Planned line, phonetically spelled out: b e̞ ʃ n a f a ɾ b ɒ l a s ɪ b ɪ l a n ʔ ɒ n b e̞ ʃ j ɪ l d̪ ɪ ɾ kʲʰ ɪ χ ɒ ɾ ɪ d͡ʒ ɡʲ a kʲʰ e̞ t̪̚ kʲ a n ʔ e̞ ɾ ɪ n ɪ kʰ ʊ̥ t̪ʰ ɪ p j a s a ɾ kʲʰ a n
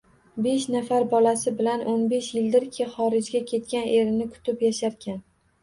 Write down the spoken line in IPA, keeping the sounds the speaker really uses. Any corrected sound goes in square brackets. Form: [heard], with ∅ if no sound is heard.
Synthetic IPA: b e̞ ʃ n a f a ɾ b ɒ l a s ɪ b ɪ l a n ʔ [o] n b e̞ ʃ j ɪ l d̪ ɪ ɾ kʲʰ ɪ χ ɒ ɾ ɪ d͡ʒ ɡʲ a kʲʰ e̞ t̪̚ kʲ a n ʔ e̞ ɾ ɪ n ɪ kʰ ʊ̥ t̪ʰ ɪ p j a [ʃ] a ɾ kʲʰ a n